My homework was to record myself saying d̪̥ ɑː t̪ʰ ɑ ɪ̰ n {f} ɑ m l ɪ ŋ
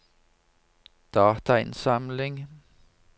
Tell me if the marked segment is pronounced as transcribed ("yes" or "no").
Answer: no